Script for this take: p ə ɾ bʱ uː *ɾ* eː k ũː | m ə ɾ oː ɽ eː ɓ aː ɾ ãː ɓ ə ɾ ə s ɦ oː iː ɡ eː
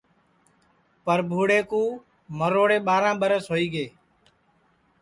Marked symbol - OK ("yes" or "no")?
no